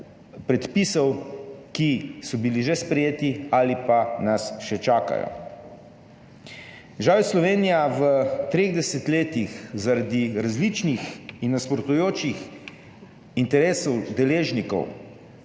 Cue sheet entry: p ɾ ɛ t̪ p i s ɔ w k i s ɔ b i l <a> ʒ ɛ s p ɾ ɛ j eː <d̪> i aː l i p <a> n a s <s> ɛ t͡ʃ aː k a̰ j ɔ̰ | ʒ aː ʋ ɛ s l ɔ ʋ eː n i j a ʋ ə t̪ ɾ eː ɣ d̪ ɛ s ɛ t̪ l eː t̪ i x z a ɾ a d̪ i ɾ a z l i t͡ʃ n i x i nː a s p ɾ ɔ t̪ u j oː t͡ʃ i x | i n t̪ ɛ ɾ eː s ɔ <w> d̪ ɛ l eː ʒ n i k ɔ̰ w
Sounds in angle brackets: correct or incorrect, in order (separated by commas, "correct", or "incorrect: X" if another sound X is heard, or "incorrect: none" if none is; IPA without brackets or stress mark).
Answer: incorrect: i, incorrect: t̪, correct, incorrect: ʃ, correct